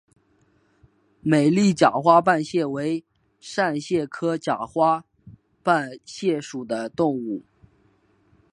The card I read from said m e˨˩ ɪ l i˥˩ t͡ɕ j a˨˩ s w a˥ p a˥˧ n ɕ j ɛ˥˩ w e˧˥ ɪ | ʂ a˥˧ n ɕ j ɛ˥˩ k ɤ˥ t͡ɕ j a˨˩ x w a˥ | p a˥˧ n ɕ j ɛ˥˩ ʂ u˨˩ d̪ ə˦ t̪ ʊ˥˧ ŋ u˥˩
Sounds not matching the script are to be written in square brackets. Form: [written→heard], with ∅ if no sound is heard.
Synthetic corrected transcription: m e˨˩ ɪ l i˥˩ t͡ɕ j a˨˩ [s→x] w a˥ p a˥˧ n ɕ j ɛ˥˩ w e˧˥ ɪ | ʂ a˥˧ n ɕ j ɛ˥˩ [k→kʰ] ɤ˥ t͡ɕ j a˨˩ x w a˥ | p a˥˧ n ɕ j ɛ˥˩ ʂ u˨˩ d̪ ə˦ t̪ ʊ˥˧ ŋ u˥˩